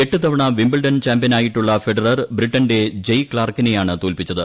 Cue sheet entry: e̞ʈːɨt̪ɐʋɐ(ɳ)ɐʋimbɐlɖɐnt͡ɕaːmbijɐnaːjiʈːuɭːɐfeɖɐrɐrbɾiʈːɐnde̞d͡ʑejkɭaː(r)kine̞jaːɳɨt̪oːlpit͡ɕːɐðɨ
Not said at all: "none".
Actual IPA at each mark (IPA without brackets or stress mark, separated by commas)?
ɳ, r